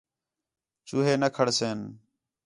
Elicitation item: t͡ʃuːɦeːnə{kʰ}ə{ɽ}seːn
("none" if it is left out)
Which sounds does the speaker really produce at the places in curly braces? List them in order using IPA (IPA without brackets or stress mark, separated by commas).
kʰ, ɽ